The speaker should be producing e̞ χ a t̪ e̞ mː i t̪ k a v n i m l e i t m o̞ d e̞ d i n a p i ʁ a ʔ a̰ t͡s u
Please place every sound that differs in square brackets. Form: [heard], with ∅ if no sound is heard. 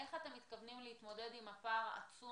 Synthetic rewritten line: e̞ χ a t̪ e̞ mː i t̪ k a v n i m l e i t m o̞ d e̞ d i [m] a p [a] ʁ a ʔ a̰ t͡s u